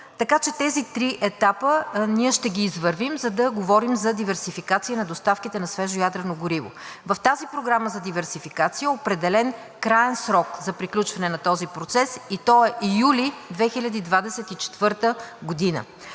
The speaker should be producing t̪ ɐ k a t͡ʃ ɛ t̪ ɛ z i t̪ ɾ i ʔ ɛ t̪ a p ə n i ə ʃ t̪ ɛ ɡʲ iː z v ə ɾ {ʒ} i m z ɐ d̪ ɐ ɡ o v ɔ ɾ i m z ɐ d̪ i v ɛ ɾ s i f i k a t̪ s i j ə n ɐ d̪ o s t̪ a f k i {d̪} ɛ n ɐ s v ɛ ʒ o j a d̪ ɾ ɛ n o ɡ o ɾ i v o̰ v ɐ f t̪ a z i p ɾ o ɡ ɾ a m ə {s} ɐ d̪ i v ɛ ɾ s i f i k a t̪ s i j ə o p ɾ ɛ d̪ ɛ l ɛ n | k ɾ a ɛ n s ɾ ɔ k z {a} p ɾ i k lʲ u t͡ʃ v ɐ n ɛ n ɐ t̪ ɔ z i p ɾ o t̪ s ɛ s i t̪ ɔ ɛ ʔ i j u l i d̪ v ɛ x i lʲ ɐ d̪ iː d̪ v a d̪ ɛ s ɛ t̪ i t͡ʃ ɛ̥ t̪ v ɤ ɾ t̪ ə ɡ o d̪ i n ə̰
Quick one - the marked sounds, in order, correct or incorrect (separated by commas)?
incorrect, incorrect, incorrect, incorrect